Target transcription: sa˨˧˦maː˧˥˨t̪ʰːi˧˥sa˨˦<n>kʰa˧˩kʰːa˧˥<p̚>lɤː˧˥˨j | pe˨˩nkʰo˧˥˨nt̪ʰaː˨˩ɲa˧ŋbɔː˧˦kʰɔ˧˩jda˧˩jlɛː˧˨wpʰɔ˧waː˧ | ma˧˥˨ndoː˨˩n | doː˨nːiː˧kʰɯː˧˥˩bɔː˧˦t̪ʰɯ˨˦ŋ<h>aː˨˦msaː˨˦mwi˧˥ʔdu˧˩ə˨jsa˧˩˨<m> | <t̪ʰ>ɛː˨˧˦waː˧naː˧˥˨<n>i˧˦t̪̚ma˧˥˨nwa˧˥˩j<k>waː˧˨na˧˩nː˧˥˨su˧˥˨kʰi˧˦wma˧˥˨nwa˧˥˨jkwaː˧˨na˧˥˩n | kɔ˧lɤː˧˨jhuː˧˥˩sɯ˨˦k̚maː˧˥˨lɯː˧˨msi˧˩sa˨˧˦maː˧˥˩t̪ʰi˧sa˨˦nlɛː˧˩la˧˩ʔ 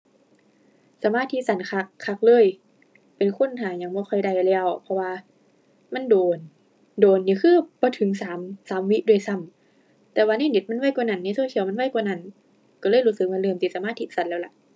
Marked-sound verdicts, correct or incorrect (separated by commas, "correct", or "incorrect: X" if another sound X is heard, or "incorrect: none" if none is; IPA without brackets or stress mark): correct, incorrect: k̚, incorrect: s, correct, incorrect: t̪, correct, correct